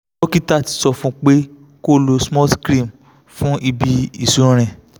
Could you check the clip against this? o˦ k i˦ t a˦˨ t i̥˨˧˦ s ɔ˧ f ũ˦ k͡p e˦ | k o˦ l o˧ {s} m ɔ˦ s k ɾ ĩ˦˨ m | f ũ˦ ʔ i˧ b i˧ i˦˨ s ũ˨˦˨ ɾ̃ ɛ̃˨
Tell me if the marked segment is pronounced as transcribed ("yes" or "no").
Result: yes